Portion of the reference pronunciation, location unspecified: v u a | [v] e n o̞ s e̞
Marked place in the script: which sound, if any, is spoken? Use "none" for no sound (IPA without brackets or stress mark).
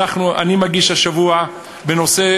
b